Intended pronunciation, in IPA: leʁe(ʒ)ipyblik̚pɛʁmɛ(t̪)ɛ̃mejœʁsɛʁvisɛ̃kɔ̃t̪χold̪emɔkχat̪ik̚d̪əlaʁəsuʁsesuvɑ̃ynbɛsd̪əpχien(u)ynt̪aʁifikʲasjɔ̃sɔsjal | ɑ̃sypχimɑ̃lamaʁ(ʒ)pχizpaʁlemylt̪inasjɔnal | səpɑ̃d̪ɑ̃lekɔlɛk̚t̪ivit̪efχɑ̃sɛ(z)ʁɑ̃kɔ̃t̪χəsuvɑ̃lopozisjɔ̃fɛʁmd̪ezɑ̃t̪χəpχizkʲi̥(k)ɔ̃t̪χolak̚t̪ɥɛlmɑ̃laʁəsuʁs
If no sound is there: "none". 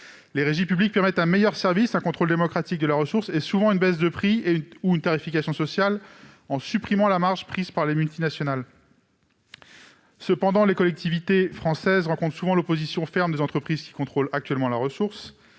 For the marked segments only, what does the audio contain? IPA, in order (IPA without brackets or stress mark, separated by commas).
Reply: ʒ, t̪, u, ʒ, z, k